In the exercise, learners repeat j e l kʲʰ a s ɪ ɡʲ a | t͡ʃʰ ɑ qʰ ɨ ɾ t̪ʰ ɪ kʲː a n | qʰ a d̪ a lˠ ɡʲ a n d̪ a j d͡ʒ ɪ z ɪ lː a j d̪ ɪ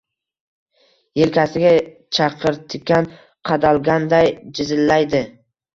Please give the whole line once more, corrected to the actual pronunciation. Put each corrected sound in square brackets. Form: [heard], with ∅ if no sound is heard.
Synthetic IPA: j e l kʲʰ a s ɪ ɡʲ a | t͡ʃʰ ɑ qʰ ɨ ɾ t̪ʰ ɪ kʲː a n | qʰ [ɑ] d̪ a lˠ ɡʲ a n d̪ a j d͡ʒ ɪ z ɪ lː a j d̪ ɪ

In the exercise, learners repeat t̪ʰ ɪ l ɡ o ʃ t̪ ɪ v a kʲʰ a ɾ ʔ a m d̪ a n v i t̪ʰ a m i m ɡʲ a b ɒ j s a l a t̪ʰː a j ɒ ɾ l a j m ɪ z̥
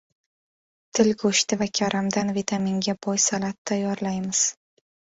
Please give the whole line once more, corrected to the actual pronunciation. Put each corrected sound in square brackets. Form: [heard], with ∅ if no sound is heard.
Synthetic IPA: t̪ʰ ɪ l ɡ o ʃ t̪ ɪ v a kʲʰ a ɾ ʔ a m d̪ a n v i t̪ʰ a m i [ŋ] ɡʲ a b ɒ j s a l a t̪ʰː a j ɒ ɾ l a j m ɪ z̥

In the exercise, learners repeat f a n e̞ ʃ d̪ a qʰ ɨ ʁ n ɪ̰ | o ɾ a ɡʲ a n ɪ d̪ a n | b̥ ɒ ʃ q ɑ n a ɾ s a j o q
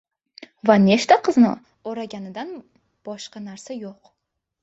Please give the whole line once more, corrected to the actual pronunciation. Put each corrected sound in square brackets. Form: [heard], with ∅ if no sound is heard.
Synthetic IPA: [v] a n e̞ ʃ [t̪] a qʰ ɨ [z] n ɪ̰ | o ɾ a ɡʲ a n ɪ d̪ a n | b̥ ɒ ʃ q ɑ n a ɾ s a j o q

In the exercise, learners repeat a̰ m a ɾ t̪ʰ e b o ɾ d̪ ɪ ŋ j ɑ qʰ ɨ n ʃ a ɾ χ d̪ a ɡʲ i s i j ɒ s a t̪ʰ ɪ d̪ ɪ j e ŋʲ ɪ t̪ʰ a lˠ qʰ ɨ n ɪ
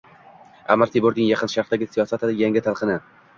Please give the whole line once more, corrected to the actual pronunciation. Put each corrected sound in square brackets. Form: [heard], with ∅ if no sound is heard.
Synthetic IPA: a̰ m a ɾ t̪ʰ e b o ɾ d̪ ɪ ŋ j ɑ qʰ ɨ n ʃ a ɾ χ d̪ a ɡʲ [ɪ] s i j ɒ s a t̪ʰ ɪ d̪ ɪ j [a] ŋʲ ɪ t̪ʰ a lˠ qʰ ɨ n ɪ

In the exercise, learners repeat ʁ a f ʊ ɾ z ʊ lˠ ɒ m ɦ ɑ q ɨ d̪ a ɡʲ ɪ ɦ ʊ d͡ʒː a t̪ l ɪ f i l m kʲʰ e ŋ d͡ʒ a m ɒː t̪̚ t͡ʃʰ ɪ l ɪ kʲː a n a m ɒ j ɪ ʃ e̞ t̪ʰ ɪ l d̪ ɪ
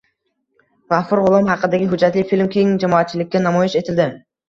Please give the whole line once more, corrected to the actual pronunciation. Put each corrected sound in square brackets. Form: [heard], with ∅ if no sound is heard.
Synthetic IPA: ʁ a f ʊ ɾ [ʁ] ʊ lˠ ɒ m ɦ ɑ q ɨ d̪ a ɡʲ ɪ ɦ ʊ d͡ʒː a t̪ l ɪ f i l m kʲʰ e ŋ d͡ʒ a m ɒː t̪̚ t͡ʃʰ ɪ l ɪ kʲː a n a m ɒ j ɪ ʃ e̞ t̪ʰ ɪ l d̪ ɪ

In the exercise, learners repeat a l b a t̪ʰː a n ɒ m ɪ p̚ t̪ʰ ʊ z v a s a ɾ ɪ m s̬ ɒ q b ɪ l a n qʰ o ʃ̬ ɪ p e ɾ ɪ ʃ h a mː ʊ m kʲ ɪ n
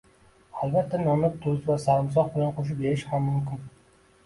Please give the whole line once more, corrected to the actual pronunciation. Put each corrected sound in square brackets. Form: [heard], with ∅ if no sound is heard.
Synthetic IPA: a l b a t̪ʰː a n ɒ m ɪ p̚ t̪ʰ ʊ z v a s a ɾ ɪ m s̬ ɒ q b ɪ l a n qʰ o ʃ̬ ɪ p e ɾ ɪ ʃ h a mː ʊ m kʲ ɪ n

